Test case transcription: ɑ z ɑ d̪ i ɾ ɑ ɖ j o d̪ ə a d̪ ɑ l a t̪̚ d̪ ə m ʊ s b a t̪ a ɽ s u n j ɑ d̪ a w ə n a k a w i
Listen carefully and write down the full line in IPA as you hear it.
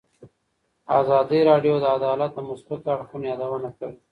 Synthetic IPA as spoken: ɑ z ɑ d̪ i ɾ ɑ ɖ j o d̪ ə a d̪ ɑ l a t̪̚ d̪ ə m ʊ s b a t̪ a ɽ x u n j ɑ d̪ a w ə n a k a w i